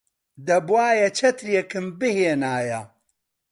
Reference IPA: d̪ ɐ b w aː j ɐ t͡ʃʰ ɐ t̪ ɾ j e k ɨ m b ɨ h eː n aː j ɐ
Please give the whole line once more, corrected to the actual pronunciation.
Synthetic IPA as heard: d̪ ɐ b w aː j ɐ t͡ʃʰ ɐ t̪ ɾ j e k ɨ m b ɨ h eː n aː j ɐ